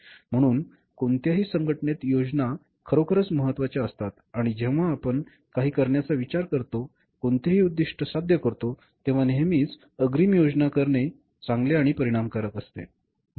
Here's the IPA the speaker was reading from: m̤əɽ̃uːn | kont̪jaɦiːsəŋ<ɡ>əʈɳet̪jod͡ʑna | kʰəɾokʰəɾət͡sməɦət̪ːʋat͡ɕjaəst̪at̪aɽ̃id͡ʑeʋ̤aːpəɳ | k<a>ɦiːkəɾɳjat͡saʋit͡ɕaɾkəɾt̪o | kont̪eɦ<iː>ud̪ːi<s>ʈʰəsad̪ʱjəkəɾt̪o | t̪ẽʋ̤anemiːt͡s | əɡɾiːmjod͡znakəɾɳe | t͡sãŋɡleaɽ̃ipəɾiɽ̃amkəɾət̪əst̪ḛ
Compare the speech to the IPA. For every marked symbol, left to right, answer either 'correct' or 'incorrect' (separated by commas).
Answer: correct, correct, correct, incorrect